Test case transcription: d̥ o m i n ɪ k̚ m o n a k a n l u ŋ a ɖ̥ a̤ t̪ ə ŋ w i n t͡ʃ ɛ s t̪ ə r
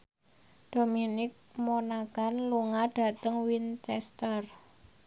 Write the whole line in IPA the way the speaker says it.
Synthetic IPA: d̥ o m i n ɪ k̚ m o n a k a n l u ŋ a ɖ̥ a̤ t̪ ə ŋ w i n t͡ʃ ɛ s t̪ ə r